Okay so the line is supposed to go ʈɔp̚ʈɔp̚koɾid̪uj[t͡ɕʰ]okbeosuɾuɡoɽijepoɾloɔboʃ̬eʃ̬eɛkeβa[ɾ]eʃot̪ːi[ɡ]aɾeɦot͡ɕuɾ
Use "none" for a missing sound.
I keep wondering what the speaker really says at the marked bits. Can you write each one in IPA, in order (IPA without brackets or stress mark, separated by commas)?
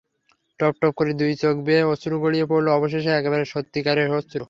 t͡ɕ, ɾ, k